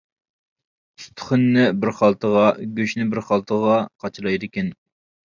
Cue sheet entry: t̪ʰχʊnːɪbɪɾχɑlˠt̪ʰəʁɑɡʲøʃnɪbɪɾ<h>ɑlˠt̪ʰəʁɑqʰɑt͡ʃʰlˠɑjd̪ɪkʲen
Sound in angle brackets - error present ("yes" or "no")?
yes